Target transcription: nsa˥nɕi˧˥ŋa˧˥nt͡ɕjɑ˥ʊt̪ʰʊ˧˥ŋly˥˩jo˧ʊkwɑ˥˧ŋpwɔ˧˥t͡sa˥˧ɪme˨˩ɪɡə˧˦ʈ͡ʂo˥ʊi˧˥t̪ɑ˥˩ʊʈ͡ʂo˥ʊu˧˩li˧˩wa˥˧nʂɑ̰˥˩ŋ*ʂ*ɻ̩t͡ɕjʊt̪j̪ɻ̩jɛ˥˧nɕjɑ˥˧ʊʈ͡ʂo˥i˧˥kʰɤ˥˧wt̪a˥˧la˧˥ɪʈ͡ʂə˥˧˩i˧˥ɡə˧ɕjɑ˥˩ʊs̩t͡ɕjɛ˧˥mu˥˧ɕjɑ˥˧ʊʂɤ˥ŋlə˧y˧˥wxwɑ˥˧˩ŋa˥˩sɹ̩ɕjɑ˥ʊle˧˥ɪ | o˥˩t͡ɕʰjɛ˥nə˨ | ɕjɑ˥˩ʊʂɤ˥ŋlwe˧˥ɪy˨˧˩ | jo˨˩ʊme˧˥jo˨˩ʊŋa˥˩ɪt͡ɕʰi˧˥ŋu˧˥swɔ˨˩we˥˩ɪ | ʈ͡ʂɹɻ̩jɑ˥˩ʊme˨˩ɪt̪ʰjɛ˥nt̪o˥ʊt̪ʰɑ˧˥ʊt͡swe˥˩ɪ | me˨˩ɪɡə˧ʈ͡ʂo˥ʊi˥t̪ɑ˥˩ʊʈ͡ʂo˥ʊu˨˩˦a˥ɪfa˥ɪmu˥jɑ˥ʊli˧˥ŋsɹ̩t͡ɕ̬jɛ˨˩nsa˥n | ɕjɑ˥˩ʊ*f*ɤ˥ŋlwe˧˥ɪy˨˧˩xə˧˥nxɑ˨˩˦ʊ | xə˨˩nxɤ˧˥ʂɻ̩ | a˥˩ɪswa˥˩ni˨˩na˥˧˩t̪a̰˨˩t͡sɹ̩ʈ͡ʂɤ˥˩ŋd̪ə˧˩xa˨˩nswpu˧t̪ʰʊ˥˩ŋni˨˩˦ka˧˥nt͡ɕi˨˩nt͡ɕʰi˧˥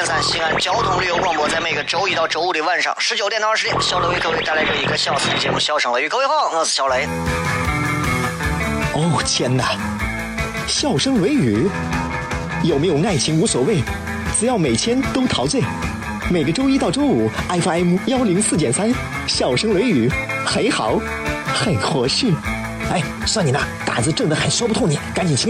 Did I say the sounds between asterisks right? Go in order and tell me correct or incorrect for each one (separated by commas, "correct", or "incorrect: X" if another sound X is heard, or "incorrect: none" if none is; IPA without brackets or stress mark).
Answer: correct, incorrect: ʂ